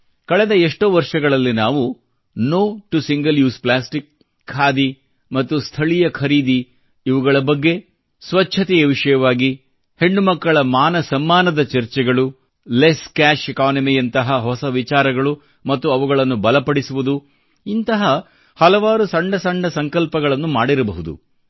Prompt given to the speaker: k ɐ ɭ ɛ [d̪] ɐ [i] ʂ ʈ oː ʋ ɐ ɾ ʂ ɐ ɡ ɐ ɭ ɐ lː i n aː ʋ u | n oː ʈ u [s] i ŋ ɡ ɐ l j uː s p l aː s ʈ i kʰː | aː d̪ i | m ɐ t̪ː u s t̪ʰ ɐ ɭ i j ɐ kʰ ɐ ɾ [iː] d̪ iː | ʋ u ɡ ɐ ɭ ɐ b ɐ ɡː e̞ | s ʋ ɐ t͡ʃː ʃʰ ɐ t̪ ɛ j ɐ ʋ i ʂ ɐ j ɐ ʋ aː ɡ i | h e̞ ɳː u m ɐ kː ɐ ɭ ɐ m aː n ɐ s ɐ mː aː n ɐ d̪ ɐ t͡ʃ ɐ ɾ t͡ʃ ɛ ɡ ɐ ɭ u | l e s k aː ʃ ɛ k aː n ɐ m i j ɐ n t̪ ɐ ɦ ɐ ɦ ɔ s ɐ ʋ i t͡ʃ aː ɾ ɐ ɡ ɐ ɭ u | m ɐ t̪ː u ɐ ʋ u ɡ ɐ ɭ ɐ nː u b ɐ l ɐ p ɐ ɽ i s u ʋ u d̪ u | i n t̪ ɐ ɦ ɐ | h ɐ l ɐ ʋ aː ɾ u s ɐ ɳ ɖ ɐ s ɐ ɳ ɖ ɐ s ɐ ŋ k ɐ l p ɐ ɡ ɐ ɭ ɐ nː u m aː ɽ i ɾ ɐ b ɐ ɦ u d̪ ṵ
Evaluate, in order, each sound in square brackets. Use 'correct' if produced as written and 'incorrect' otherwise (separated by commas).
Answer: correct, incorrect, correct, correct